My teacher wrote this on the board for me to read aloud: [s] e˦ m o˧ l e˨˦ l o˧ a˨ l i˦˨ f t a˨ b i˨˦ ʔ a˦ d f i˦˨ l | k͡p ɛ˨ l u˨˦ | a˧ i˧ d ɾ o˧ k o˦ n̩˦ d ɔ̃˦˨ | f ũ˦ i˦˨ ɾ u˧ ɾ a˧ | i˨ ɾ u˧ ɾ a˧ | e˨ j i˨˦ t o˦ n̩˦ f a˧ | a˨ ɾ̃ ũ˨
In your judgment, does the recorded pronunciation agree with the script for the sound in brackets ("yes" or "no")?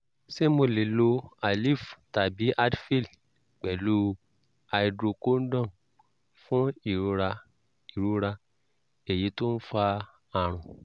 yes